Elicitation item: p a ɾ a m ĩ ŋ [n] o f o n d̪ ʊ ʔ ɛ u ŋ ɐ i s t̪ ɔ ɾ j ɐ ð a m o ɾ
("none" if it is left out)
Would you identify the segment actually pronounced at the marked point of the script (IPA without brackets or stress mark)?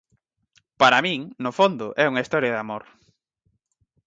n